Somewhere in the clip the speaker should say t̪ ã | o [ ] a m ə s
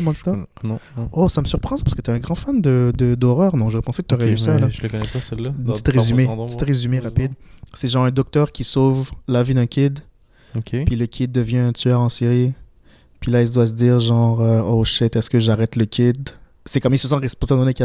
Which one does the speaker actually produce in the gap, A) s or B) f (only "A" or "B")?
A